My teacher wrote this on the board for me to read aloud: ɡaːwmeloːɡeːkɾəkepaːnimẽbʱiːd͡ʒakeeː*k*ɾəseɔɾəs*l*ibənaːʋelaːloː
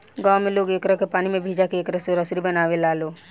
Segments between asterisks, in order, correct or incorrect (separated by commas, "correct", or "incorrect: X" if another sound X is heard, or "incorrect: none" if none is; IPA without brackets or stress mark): correct, incorrect: ɾ